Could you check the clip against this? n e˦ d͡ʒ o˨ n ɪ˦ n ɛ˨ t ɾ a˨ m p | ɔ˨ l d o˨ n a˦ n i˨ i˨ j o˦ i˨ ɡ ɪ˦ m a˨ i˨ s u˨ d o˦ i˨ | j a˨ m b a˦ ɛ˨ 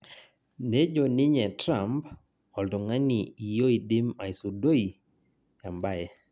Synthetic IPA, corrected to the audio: n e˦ d͡ʒ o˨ n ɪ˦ ɲ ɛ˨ t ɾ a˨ m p | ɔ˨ l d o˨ ŋ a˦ n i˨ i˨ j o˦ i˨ d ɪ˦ m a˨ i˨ s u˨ d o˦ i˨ | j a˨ m b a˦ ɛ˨